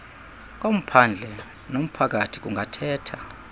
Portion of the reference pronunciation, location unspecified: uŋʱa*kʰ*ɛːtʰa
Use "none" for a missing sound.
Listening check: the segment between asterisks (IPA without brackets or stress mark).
tʰ